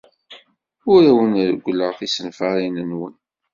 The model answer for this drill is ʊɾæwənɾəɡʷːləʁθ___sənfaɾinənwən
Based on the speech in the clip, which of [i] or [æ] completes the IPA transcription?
i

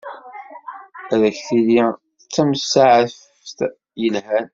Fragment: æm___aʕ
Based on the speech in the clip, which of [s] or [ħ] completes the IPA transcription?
s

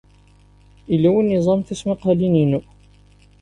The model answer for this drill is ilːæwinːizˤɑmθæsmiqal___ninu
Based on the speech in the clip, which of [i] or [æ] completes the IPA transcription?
i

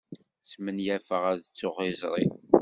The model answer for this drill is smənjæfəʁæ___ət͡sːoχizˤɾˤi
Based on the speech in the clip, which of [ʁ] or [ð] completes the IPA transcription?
ð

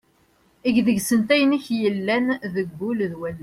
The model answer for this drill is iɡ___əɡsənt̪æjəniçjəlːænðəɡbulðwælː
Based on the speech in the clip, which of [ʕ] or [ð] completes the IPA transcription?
ð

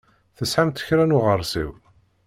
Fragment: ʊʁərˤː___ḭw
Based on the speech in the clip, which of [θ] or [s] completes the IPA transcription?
s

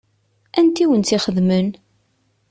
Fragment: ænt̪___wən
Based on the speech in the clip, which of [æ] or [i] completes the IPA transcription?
i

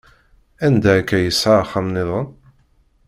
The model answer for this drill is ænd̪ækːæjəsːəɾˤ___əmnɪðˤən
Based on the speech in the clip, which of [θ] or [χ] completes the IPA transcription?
χ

